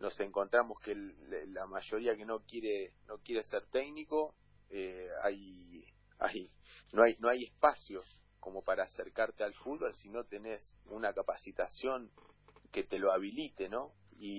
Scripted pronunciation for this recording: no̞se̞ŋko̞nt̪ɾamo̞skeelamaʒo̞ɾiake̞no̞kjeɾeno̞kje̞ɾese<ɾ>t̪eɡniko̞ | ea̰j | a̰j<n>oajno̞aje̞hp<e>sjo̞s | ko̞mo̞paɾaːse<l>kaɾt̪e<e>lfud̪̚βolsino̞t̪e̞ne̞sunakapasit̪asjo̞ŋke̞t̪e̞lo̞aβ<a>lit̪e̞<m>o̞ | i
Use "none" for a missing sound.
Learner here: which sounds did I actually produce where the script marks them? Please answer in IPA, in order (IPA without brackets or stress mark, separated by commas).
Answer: ɾ, n, a, ɾ, a, i, n